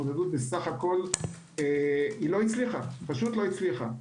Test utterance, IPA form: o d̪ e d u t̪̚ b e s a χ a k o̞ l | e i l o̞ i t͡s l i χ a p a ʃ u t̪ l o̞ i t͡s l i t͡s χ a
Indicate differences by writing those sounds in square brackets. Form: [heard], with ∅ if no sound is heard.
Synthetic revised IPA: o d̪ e d u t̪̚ b e s a χ a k o̞ l | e i l o̞ i t͡s l i χ a p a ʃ u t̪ l o̞ i t͡s l i [∅] χ a